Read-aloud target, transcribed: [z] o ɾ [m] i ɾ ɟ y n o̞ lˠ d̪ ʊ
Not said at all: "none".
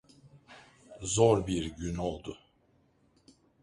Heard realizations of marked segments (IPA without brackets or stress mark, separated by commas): z, b